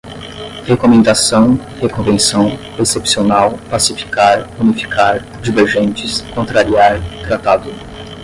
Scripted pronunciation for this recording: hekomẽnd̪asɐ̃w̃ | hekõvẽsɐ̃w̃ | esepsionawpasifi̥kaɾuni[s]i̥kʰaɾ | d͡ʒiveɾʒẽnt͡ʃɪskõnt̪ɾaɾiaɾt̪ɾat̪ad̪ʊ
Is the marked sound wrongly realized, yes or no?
yes